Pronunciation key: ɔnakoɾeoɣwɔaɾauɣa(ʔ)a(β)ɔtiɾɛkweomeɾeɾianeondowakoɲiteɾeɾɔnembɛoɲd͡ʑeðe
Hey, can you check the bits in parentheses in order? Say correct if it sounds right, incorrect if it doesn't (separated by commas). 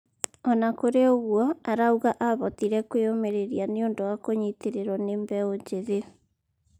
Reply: correct, correct